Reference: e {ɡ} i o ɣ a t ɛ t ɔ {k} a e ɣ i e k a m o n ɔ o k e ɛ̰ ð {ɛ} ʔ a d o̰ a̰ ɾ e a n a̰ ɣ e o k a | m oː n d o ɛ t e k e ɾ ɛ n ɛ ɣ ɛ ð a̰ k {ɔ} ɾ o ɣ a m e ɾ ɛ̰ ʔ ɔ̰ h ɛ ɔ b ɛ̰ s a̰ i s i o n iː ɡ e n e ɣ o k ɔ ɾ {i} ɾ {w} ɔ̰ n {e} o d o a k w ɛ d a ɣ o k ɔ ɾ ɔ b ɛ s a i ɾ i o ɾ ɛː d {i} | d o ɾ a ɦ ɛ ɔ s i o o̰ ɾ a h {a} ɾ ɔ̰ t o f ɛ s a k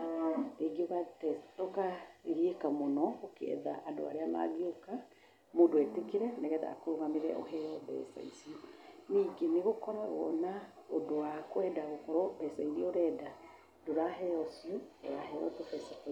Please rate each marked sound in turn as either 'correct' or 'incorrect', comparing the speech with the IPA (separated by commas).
correct, correct, incorrect, incorrect, incorrect, correct, incorrect, incorrect, incorrect